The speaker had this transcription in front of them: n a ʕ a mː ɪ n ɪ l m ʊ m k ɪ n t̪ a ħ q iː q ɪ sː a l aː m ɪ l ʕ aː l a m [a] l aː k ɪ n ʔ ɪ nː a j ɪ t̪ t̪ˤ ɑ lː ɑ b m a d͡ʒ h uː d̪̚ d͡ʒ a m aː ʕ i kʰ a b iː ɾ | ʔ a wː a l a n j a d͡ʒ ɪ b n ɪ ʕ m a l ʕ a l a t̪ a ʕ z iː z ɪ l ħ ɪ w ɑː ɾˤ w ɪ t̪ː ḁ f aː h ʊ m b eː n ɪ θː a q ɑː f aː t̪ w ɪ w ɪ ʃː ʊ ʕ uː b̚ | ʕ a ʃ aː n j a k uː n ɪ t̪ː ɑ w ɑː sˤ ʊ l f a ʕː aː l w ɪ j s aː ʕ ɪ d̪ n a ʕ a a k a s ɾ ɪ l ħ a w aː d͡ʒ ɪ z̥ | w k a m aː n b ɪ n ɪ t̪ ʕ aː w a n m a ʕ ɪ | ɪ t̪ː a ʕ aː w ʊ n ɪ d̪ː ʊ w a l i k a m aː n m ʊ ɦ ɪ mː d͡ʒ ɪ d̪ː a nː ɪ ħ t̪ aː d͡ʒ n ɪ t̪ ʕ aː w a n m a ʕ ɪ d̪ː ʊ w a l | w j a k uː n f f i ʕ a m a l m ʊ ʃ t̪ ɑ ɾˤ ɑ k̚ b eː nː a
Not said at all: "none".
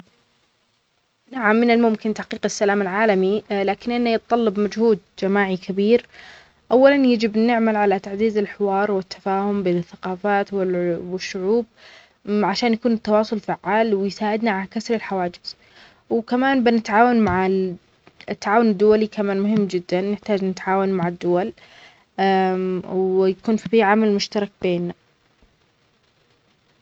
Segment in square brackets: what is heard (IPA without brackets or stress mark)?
i